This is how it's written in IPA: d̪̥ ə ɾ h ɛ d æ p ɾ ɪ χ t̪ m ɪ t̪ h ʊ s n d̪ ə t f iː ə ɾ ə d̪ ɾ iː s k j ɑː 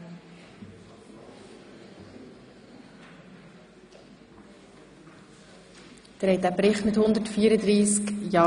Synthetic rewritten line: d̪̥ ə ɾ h ɛ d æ p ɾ ɪ χ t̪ m ɪ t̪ h ʊ n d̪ ə t f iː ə ɾ ə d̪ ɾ iː s k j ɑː